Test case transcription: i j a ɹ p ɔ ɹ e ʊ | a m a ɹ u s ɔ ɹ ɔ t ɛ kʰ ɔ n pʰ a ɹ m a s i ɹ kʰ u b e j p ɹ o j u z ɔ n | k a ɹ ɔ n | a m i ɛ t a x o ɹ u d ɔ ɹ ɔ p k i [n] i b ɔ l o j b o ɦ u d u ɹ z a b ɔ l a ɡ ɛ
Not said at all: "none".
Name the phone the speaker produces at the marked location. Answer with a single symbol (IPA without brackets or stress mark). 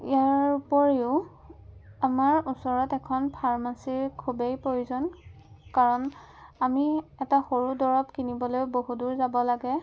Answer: n